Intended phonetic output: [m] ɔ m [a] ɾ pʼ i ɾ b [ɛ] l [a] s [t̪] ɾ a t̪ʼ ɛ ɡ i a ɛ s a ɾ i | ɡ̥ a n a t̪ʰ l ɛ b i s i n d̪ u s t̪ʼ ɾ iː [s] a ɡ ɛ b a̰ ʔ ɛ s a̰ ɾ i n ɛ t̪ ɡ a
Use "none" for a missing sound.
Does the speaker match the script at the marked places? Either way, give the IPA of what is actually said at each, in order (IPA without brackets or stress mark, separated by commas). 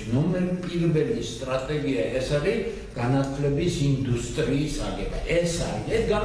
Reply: n, ɛ, ɛ, i, t̪ʼ, s